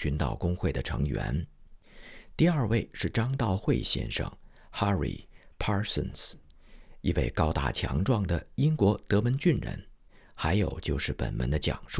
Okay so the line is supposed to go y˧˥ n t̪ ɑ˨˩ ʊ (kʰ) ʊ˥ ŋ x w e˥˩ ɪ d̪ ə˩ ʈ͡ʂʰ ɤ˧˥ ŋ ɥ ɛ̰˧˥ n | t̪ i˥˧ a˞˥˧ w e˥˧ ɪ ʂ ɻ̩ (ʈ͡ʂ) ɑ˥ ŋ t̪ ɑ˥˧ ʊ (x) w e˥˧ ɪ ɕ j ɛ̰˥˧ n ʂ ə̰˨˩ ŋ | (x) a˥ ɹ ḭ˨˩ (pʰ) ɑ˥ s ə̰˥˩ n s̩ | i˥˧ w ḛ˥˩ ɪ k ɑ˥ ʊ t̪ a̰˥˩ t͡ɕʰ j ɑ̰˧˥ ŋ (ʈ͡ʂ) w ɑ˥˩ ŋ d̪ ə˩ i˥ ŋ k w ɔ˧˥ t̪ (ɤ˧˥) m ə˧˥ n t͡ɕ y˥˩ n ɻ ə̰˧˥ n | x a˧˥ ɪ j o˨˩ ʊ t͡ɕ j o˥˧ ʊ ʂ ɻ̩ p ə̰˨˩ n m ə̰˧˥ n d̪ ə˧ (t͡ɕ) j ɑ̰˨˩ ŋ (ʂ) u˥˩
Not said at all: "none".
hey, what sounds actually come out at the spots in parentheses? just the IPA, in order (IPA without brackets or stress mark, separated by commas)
k, ʈ͡ʂ, x, x, pʰ, ʈ͡ʂ, ɤ˧˥, t͡ɕ, ʂ